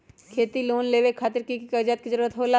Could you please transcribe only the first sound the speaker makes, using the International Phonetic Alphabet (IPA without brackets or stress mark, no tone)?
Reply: kʰ